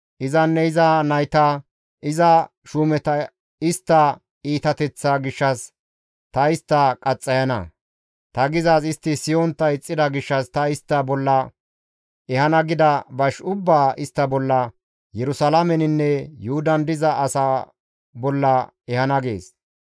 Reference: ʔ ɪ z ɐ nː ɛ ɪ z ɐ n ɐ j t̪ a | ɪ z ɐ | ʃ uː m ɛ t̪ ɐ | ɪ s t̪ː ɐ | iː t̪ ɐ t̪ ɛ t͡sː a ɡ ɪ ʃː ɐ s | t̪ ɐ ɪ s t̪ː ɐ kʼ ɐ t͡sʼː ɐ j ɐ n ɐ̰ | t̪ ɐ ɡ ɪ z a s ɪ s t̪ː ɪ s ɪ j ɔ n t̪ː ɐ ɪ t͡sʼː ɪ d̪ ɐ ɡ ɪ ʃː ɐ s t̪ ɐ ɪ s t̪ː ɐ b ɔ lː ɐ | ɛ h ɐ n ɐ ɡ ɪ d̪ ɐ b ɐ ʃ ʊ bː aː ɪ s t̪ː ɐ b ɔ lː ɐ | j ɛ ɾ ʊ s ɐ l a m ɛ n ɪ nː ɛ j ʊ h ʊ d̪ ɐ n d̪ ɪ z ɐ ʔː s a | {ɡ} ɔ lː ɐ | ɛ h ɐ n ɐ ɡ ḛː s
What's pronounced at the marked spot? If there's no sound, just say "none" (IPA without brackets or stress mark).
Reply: b